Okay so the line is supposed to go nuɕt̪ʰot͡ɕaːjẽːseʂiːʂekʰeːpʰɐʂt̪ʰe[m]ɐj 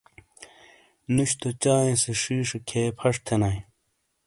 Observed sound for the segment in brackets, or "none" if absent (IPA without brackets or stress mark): n